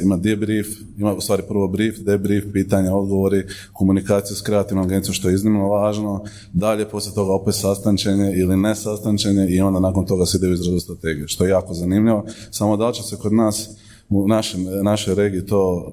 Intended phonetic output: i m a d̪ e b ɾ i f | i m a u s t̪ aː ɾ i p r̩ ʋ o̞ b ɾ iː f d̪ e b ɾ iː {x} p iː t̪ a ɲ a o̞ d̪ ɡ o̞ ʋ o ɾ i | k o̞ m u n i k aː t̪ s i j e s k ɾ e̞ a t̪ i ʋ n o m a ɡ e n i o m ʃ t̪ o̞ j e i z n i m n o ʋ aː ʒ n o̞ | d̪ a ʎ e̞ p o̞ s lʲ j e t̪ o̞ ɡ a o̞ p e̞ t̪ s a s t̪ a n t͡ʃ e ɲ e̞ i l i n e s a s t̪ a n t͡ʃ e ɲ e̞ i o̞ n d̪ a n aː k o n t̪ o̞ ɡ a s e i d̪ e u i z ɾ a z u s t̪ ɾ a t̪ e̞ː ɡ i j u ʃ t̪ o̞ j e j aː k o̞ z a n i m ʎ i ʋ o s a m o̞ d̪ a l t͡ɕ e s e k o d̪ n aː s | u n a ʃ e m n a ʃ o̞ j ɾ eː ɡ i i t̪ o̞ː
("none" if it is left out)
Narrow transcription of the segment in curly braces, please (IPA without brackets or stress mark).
f